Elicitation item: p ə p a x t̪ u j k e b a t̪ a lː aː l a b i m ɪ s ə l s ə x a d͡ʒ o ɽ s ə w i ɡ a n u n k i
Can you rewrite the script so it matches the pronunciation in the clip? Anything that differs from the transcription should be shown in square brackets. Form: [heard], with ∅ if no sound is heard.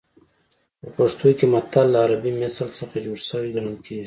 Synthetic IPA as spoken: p ə p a [ʂ] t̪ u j k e [m] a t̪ a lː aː [ɾ] a b i m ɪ s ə l s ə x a d͡ʒ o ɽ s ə w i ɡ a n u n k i